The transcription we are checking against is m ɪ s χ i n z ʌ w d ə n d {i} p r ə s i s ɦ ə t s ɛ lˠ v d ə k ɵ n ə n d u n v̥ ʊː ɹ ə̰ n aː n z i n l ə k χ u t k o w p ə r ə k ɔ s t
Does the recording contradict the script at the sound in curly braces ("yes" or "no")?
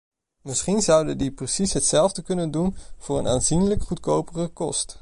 no